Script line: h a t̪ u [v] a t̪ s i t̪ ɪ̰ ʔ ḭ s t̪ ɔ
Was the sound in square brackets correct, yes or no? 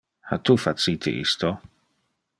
no